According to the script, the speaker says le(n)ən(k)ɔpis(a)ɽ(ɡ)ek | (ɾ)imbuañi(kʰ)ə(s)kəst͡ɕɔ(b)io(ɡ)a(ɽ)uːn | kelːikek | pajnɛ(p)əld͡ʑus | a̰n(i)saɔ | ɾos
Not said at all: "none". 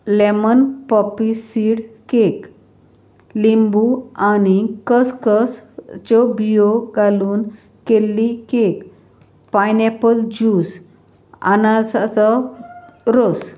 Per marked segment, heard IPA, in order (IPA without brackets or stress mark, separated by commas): m, p, i, k, l, k, s, b, ɡ, l, p, a